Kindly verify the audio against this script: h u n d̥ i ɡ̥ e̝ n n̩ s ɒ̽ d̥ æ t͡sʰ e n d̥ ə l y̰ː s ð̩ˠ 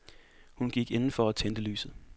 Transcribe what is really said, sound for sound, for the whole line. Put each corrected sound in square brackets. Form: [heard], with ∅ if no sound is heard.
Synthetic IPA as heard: h u n [ɡ̥] i ɡ̥ e̝ n n̩ [f] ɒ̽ [∅] æ t͡sʰ e n d̥ ə l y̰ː s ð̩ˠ